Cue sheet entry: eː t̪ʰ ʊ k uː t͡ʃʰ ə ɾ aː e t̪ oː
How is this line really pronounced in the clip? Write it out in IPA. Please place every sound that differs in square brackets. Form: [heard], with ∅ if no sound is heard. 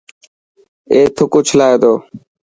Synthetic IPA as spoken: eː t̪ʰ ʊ k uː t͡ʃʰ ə [l] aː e [d̪] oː